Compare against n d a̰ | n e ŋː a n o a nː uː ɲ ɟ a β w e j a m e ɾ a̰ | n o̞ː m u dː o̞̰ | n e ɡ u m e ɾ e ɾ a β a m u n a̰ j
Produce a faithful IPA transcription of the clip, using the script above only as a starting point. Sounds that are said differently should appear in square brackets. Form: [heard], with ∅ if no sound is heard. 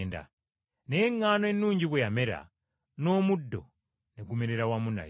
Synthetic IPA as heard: n d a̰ | n e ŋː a n o [e] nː uː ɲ ɟ [i] β w e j a m e ɾ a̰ | n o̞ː m u dː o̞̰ | n e ɡ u m e ɾ e ɾ a [w] a m u n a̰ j